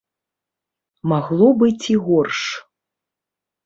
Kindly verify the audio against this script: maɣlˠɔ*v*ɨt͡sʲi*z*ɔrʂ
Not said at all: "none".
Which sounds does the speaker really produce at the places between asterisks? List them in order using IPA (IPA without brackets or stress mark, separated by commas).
b, ɣ